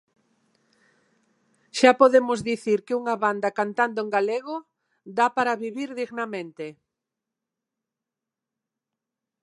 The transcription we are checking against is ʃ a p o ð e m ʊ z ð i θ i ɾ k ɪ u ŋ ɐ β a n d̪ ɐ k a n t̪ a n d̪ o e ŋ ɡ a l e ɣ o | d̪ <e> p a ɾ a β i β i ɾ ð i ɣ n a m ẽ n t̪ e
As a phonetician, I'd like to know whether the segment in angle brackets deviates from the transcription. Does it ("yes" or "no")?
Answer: yes